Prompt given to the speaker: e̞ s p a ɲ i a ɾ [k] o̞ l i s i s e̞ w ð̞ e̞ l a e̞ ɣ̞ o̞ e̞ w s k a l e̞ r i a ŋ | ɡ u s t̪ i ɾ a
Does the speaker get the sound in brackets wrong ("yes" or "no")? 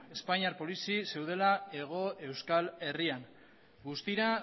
yes